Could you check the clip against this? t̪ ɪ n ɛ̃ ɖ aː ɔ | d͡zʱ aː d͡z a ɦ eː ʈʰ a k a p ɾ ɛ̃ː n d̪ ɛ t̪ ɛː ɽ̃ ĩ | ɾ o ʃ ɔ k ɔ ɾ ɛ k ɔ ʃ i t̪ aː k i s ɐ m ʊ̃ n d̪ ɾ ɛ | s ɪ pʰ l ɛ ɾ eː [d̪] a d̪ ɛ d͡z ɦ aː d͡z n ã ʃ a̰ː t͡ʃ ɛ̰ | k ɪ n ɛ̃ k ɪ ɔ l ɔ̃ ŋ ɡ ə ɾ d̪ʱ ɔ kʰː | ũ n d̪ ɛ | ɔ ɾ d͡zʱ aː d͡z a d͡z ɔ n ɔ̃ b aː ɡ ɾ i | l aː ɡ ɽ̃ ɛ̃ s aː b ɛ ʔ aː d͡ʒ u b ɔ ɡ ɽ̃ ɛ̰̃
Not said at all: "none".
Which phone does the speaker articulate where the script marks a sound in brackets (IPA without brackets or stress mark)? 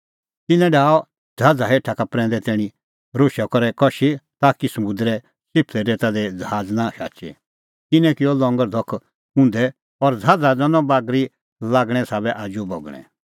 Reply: t̪